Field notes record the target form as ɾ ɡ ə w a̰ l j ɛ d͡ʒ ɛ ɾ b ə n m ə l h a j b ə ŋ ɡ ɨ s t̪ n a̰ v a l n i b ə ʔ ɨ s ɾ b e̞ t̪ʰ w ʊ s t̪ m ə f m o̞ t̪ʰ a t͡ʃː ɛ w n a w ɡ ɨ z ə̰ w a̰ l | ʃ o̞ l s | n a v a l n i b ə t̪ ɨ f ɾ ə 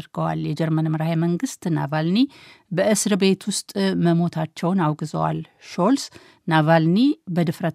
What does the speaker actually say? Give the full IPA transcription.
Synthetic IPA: ɾ ɡ ə w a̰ l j ɛ d͡ʒ ɛ ɾ m ə n m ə ɾ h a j m ə ŋ ɡ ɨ s t̪ n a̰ v a l n i b ə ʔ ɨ s ɾ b e̞ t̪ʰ w ʊ s t̪ʼ m ə m o̞ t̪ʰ a t͡ʃː ɛ w n a w ɡ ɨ z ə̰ w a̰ l | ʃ o̞ l s | n a v a l n i b ə d̪ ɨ f ɾ ə